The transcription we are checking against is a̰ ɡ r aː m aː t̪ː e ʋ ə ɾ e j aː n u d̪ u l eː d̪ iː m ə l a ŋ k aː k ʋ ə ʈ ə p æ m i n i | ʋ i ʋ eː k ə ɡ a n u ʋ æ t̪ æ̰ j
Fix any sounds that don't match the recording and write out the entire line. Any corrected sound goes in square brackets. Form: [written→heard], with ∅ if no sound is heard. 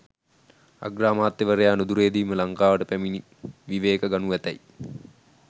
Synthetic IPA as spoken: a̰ ɡ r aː m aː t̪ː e ʋ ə ɾ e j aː n u d̪ u [l→ɾ] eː d̪ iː m ə l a ŋ k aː [k→∅] ʋ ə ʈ ə p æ m i n i | ʋ i ʋ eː k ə ɡ a n u ʋ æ t̪ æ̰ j

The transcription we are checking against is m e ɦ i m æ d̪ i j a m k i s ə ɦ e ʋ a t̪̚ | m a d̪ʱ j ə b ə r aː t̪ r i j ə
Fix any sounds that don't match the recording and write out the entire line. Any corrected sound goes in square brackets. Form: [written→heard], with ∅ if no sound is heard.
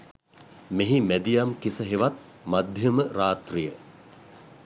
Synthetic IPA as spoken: m e ɦ i m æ d̪ i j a m k i s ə ɦ e ʋ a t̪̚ | m a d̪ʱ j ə [b→m] ə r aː t̪ r i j ə

